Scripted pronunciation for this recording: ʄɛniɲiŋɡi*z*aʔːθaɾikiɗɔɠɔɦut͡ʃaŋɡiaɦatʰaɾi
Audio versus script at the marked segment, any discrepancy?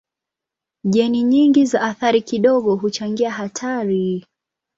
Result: no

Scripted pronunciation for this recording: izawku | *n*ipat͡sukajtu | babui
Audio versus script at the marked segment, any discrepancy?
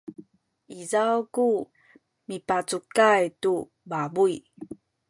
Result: yes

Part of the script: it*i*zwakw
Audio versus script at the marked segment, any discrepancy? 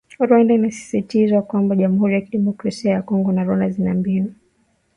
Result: no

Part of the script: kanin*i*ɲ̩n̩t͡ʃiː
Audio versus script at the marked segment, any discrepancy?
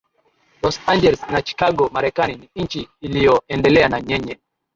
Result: no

